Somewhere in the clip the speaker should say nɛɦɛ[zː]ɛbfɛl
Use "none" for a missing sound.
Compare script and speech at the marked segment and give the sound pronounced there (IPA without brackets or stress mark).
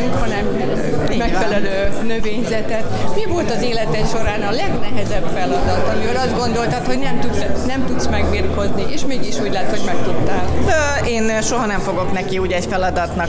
z